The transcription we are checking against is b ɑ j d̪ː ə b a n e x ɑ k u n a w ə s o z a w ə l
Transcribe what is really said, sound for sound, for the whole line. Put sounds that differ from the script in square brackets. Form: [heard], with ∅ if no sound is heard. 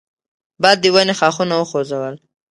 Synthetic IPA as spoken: b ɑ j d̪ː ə [w] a n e x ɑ [x] u n a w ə [x] o z a w ə l